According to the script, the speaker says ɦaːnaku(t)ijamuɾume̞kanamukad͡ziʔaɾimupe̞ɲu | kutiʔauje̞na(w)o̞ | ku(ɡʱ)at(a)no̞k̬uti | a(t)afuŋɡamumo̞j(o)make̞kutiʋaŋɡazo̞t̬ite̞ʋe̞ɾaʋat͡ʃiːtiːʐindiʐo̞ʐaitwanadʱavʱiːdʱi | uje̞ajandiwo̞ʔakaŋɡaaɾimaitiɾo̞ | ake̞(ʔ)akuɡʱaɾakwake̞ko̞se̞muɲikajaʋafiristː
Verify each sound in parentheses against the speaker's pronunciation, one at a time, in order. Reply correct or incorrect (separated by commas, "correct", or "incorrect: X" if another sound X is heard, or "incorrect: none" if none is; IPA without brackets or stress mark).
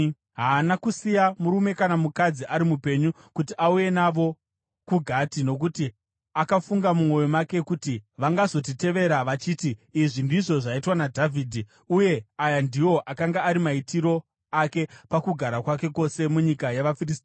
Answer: incorrect: s, incorrect: ʋ, correct, incorrect: i, incorrect: k, correct, incorrect: p